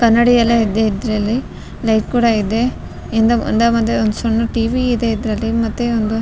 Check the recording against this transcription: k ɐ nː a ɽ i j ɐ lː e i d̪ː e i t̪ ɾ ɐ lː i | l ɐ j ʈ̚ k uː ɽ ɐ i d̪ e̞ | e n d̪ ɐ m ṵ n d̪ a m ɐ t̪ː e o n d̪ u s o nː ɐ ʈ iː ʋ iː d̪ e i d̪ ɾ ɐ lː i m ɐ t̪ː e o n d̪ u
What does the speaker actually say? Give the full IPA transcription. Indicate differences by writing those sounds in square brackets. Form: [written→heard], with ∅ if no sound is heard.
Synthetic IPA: k ɐ nː [a→ɐ] ɽ i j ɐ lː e i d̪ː e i [t̪→d̪] ɾ ɐ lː i | l ɐ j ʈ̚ k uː ɽ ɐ i d̪ e̞ | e n d̪ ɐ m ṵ n d̪ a m ɐ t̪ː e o n d̪ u s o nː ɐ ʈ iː ʋ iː d̪ e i d̪ ɾ ɐ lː i m ɐ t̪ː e o n d̪ u

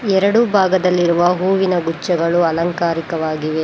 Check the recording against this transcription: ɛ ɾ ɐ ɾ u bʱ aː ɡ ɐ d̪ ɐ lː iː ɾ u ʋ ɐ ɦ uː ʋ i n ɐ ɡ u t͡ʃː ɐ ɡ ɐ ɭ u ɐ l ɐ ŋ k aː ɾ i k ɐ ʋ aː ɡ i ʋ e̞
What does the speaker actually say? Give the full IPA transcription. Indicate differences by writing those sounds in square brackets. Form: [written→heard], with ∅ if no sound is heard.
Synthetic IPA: ɛ ɾ ɐ [ɾ→ɽ] u bʱ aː ɡ ɐ d̪ ɐ lː [iː→i] ɾ u ʋ ɐ ɦ uː ʋ i n ɐ ɡ u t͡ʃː ɐ ɡ ɐ ɭ u ɐ l ɐ ŋ k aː ɾ i k ɐ ʋ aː ɡ i ʋ e̞

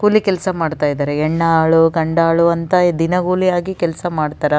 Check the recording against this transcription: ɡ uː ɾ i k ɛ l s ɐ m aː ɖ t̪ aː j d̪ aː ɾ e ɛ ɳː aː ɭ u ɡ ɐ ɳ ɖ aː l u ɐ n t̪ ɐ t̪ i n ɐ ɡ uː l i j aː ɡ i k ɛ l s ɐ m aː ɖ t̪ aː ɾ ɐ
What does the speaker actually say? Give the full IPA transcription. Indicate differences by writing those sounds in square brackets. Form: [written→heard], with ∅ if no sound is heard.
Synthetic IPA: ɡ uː [ɾ→l] i k ɛ l s ɐ m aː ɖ t̪ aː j d̪ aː ɾ e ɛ ɳː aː ɭ u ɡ ɐ ɳ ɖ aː [l→ɭ] u ɐ n t̪ ɐ [t̪→d̪] i n ɐ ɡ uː l i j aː ɡ i k ɛ l s ɐ m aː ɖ t̪ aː ɾ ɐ

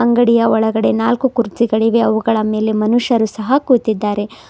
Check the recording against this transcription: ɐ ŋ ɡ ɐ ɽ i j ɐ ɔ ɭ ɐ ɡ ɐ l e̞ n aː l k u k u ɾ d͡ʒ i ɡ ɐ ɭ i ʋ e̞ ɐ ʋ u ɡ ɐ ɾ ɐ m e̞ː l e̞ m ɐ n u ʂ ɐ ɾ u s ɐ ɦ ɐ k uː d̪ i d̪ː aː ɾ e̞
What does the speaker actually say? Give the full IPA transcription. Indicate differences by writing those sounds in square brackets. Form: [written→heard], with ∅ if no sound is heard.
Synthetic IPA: ɐ ŋ ɡ ɐ ɽ i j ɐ ɔ ɭ ɐ ɡ ɐ [l→ɽ] e̞ n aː l k u k u ɾ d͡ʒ i ɡ ɐ ɭ i ʋ e̞ ɐ ʋ u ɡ ɐ [ɾ→ɭ] ɐ m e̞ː l e̞ m ɐ n u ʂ ɐ ɾ u s ɐ ɦ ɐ k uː [d̪→t̪] i d̪ː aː ɾ e̞

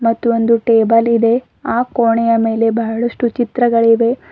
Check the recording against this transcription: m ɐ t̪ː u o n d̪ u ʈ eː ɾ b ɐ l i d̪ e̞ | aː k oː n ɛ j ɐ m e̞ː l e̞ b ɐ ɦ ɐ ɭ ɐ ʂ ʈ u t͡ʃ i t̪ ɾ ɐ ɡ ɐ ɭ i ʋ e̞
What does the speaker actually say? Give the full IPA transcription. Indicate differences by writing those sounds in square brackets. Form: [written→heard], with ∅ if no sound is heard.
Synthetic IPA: m ɐ t̪ː u o n d̪ u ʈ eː [ɾ→∅] b ɐ l i d̪ e̞ | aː k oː [n→ɳ] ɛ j ɐ m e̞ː l e̞ b ɐ ɦ ɐ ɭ ɐ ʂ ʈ u t͡ʃ i t̪ ɾ ɐ ɡ ɐ ɭ i ʋ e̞

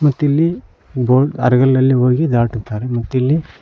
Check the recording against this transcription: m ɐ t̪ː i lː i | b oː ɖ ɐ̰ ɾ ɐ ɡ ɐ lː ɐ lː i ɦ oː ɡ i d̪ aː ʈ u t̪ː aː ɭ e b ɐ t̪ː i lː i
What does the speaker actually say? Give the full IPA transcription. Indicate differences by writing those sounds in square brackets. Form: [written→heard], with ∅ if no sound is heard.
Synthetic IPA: m ɐ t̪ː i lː i | b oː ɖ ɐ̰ ɾ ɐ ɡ ɐ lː ɐ lː i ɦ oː ɡ i d̪ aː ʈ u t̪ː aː [ɭ→ɾ] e [b→m] ɐ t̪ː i lː i

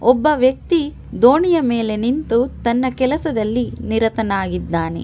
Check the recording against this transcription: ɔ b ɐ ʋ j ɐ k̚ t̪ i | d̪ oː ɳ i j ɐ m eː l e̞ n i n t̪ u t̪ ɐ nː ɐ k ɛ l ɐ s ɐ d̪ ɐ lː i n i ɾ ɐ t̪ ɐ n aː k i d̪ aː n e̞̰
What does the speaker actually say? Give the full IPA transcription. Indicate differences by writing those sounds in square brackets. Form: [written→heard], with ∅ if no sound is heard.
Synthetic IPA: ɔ [b→bː] ɐ ʋ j ɐ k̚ t̪ i | d̪ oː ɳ i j ɐ m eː l e̞ n i n t̪ u t̪ ɐ nː ɐ k ɛ l ɐ s ɐ d̪ ɐ lː i n i ɾ ɐ t̪ ɐ n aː [k→ɡ] i [d̪→d̪ː] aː n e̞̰

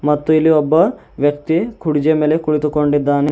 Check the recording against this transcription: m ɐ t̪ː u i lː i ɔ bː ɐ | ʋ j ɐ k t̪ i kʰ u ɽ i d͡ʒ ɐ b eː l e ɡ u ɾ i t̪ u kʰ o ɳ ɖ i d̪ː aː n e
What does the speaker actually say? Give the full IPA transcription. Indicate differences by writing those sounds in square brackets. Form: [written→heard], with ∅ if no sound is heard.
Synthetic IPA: m ɐ t̪ː u i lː i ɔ bː ɐ | ʋ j ɐ k t̪ i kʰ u ɽ i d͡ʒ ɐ [b→m] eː l e [ɡ→k] u [ɾ→ɭ] i t̪ u [kʰ→k] o ɳ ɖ i d̪ː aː n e

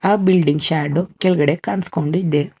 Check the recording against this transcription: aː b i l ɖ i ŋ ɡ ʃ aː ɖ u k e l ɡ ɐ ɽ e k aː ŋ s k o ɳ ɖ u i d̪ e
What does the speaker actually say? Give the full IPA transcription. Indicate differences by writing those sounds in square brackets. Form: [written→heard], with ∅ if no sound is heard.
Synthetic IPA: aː b i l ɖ i ŋ ɡ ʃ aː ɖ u k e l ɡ ɐ ɽ e k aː [ŋ→n] s k o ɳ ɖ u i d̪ e

